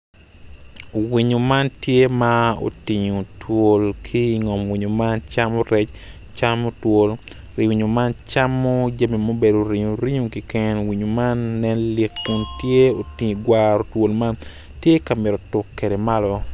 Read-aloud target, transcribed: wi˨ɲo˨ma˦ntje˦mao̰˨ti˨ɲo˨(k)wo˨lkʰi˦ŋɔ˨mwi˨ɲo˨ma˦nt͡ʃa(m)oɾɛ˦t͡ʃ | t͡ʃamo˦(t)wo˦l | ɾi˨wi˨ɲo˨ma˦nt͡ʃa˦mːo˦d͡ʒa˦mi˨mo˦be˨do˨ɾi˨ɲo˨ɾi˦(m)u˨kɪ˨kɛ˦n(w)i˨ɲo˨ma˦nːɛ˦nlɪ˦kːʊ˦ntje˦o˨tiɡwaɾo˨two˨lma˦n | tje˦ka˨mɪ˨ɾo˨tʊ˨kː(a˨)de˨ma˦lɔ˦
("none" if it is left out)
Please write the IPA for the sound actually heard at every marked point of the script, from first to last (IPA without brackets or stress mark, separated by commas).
t, m, t, ɲ, w, e˨